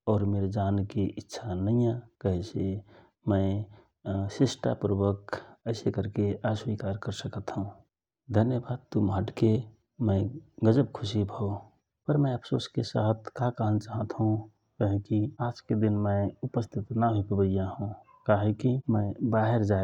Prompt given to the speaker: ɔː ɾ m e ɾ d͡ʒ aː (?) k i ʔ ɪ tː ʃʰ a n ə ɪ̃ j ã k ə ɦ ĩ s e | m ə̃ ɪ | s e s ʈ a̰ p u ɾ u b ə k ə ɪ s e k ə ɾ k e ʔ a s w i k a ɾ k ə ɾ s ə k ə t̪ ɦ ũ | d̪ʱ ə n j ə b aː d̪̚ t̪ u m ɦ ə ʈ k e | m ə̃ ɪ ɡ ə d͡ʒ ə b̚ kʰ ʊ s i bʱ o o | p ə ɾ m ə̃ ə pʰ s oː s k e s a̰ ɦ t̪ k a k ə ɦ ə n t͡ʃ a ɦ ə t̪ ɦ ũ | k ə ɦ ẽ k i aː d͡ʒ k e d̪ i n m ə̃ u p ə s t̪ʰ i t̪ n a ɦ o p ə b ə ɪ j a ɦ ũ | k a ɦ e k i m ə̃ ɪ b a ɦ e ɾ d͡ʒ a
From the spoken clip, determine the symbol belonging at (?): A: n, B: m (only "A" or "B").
A